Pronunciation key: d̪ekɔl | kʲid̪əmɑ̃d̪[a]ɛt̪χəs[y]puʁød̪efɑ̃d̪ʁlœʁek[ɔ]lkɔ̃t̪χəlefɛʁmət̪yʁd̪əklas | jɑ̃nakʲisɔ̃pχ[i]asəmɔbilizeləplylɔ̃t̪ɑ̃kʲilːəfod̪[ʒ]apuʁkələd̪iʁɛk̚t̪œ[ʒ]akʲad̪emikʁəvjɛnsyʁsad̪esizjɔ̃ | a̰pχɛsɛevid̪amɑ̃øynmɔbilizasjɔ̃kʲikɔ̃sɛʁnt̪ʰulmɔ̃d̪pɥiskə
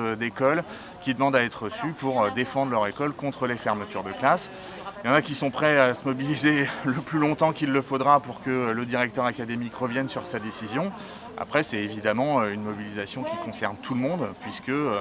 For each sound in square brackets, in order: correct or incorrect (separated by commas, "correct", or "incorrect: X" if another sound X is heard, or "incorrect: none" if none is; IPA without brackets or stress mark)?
correct, correct, correct, incorrect: ɛ, incorrect: ʁ, incorrect: ʁ